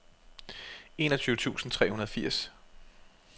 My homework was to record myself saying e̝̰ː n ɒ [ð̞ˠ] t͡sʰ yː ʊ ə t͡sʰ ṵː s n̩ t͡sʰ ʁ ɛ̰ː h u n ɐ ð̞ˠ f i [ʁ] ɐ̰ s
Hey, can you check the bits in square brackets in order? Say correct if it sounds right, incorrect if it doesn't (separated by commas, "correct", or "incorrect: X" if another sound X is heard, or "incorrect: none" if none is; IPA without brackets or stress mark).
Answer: incorrect: none, incorrect: none